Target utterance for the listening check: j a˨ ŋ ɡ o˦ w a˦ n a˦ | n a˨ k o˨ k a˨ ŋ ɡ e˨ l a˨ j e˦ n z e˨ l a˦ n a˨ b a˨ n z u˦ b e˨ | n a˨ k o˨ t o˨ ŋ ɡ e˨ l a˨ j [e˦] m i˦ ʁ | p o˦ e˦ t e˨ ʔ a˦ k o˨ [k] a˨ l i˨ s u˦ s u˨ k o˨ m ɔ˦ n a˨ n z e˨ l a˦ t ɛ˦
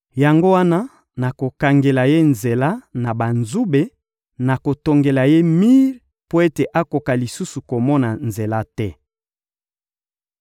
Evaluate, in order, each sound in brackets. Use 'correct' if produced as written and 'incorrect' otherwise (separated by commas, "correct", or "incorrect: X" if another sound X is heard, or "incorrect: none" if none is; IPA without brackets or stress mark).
correct, correct